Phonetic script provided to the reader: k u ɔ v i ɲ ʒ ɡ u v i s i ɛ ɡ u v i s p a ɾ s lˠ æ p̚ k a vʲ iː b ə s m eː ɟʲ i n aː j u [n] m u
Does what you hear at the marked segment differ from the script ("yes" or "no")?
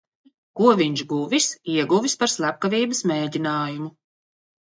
yes